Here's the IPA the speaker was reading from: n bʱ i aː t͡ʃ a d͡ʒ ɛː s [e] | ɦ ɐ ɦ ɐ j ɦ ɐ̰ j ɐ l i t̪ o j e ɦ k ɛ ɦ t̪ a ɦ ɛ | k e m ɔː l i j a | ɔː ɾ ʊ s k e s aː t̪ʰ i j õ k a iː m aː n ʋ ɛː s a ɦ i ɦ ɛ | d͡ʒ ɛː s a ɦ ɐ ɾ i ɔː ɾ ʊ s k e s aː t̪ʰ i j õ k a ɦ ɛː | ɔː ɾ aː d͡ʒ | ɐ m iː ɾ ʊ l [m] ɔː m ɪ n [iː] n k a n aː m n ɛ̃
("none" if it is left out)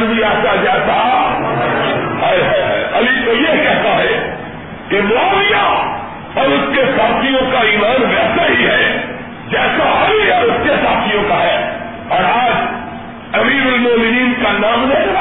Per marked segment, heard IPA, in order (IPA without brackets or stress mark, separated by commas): a, m, iː